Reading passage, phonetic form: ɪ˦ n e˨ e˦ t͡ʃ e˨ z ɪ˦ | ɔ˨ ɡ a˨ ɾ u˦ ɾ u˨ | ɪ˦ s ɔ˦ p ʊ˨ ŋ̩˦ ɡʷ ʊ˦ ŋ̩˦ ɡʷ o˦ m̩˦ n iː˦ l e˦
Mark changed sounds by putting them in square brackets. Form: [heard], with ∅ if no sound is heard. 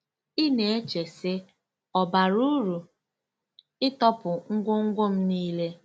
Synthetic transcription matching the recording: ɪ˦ n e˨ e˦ t͡ʃ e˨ [s] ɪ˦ | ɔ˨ [b] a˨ ɾ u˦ ɾ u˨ | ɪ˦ [t] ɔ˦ p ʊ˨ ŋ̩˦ ɡʷ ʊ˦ ŋ̩˦ ɡʷ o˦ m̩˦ n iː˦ l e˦

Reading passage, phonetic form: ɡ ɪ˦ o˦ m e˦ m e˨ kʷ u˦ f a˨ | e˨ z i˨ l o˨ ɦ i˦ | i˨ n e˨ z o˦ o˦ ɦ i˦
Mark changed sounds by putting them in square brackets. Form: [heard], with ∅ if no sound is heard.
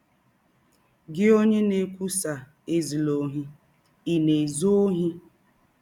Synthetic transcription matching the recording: ɡ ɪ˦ o˦ [ɲ] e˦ [n] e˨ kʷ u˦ [s] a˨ | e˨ z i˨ l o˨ ɦ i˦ | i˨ n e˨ z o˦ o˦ ɦ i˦

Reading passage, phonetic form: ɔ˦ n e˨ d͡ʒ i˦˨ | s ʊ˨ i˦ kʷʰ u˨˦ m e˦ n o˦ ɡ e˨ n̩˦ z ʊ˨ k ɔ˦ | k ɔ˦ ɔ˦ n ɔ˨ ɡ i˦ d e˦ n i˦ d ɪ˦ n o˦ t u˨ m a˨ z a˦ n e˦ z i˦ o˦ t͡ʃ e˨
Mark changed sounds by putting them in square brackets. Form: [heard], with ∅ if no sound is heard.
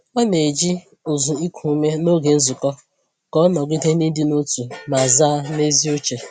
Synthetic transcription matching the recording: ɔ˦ n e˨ d͡ʒ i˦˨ | [z] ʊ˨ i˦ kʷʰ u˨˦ m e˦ n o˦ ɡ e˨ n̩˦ z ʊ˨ k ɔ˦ | k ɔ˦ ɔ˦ n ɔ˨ ɡ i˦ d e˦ n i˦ d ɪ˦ n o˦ t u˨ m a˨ z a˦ n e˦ z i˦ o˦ t͡ʃ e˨

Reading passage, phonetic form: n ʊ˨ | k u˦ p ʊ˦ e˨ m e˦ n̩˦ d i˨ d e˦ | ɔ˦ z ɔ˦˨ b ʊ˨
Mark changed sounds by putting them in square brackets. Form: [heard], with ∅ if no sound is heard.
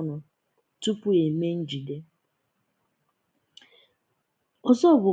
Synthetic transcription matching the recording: n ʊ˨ | [t] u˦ p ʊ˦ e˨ m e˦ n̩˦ [d͡ʒ] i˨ d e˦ | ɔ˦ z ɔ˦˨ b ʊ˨

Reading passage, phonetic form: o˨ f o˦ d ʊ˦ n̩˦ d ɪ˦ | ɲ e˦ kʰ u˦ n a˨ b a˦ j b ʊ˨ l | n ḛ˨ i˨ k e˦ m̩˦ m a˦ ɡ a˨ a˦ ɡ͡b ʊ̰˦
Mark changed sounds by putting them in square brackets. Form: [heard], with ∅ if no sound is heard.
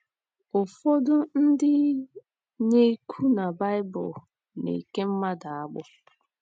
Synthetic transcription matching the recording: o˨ f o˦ d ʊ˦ n̩˦ d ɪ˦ | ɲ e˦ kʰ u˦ n a˨ b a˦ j b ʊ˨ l | n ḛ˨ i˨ k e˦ m̩˦ m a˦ [d] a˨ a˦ ɡ͡b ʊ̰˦

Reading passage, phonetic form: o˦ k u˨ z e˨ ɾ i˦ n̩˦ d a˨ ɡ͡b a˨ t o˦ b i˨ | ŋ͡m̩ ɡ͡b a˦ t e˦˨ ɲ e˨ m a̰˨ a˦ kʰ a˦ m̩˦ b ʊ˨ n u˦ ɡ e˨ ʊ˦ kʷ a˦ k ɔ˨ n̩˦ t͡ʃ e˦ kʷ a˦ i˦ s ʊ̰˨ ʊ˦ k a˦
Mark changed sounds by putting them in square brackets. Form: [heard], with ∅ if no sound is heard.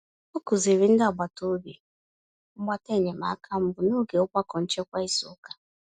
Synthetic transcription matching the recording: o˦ k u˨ z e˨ ɾ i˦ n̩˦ d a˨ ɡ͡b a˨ t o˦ b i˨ | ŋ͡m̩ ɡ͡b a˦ t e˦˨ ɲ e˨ m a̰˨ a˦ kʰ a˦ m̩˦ b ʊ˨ n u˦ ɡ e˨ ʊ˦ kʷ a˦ k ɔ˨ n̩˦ t͡ʃ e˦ kʷ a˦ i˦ s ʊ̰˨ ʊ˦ k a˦

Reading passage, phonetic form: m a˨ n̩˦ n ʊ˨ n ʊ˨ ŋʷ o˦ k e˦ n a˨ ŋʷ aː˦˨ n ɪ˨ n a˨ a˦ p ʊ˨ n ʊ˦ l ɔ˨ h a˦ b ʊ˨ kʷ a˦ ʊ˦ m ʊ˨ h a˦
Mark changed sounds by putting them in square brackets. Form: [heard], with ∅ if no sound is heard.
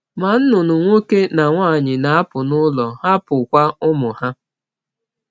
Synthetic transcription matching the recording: m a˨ n̩˦ n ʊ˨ n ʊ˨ ŋʷ o˦ k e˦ n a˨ ŋʷ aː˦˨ [ɲ] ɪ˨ n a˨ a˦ p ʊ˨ n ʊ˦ l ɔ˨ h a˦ [p] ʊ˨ kʷ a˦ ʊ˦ m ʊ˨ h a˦

